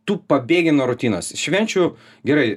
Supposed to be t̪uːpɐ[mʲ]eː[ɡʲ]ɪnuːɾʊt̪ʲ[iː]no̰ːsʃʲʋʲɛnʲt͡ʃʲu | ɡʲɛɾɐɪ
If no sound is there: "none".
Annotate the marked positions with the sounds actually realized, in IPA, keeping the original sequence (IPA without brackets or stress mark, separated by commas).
bʲ, ɡʲ, iː